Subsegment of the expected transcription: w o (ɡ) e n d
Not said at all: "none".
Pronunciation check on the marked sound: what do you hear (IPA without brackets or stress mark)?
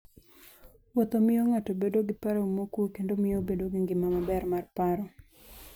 k